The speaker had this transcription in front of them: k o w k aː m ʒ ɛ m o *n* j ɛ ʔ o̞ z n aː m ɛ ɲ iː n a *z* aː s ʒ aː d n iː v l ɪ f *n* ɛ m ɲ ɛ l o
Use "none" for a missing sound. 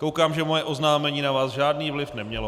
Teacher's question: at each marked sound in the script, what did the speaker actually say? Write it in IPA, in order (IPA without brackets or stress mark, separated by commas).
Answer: none, v, n